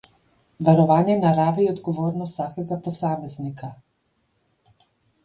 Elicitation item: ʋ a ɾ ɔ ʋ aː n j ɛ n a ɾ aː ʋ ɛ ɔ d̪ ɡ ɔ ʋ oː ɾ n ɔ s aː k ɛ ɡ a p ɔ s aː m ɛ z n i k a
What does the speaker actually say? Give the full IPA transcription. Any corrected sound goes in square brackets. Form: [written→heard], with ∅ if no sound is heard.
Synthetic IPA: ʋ a ɾ ɔ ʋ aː n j ɛ n a ɾ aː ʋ [ɛ→i] ɔ d̪ ɡ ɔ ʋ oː ɾ n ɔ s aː k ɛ ɡ a p ɔ s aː m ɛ z n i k a

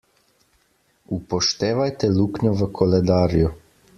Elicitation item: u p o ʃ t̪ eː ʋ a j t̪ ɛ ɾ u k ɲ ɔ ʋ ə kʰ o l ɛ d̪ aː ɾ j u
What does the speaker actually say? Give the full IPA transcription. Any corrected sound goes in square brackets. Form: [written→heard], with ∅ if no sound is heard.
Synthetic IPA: u p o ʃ t̪ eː ʋ a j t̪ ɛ [ɾ→l] u k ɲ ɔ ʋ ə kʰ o l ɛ d̪ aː ɾ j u

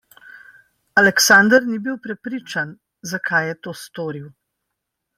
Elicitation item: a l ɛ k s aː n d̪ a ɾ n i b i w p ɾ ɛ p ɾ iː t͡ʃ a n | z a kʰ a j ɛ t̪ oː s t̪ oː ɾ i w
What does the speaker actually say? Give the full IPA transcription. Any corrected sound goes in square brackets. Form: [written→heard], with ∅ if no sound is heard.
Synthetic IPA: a l ɛ k s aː n d̪ [a→ə] ɾ n i b i w p ɾ ɛ p ɾ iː t͡ʃ a n | z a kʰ a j ɛ t̪ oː s t̪ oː ɾ i w

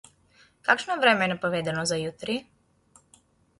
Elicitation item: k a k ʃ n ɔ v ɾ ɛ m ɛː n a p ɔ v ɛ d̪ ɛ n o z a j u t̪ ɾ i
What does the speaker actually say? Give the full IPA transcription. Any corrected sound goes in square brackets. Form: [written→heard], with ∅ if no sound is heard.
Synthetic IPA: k a k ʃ n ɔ v ɾ ɛ m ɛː n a p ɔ v ɛ d̪ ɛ n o z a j u t̪ ɾ i

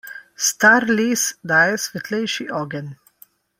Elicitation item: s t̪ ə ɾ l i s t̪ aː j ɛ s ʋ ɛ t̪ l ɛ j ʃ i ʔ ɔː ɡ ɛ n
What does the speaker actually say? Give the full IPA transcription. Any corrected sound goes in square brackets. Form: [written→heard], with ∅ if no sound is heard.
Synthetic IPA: s t̪ [ə→a] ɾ l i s [t̪→d̪] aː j ɛ s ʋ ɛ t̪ l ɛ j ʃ i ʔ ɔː ɡ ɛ n

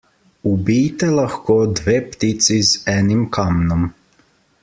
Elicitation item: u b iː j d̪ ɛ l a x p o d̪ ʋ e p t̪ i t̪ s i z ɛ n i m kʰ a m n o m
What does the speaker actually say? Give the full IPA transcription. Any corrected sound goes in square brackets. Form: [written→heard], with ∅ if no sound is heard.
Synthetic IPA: u b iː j [d̪→t̪] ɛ l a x [p→k] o d̪ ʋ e p t̪ i t̪ s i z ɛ n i m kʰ a m n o m

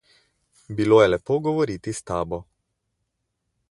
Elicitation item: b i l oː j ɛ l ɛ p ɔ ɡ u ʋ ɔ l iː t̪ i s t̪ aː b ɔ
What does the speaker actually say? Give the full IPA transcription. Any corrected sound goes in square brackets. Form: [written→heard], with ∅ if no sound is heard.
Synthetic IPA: b i l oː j ɛ l ɛ p [ɔ→o] ɡ [u→ɔ] ʋ ɔ [l→ɾ] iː t̪ i s t̪ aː b ɔ

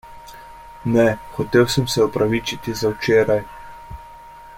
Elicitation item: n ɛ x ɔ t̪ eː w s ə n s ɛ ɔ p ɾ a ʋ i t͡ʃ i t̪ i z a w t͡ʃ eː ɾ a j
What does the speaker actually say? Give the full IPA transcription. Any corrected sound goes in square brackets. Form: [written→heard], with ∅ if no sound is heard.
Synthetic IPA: n ɛ x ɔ t̪ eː w s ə [n→m] s ɛ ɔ p ɾ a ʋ i t͡ʃ i t̪ i z a w t͡ʃ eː ɾ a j

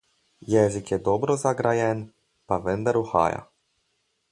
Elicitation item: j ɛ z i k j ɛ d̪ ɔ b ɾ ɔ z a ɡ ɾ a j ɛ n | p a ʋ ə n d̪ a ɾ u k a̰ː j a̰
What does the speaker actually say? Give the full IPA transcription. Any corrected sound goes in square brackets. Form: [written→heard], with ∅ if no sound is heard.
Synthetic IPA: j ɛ z i k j ɛ d̪ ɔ b ɾ ɔ z a ɡ ɾ a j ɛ n | p a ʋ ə n d̪ a ɾ u [k→x] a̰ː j a̰

